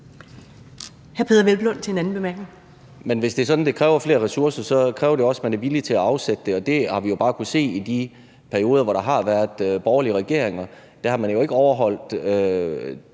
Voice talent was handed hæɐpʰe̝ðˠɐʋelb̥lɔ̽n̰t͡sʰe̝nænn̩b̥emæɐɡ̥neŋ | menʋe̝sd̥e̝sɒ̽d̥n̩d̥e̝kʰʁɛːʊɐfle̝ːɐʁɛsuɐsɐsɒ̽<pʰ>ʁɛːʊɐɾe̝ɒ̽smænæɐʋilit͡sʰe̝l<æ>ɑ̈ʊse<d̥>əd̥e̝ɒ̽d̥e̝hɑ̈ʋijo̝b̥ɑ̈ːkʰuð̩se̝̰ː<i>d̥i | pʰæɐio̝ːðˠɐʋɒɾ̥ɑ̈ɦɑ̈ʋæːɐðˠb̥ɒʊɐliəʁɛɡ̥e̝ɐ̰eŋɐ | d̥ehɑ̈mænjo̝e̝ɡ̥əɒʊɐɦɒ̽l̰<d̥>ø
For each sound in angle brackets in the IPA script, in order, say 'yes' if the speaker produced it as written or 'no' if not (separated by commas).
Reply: no, yes, yes, yes, yes